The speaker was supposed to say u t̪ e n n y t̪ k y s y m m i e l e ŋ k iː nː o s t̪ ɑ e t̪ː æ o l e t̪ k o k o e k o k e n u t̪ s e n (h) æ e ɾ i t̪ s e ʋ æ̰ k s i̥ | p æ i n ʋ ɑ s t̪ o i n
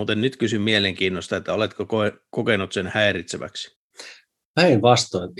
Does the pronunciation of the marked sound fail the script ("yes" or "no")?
no